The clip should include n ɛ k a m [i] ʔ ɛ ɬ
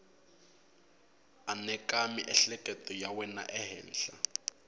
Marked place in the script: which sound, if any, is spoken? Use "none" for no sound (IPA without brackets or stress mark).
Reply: i